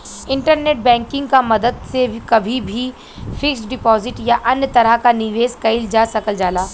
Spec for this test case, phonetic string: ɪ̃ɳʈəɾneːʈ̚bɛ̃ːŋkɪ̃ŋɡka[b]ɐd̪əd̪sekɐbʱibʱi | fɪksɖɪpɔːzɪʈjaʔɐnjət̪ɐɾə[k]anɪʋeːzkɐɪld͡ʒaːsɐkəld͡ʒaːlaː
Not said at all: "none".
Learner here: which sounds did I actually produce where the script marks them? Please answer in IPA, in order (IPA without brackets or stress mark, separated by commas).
m, k